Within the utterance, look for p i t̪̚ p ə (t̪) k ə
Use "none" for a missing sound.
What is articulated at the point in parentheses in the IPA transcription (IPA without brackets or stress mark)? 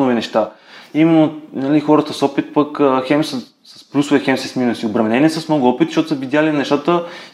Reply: none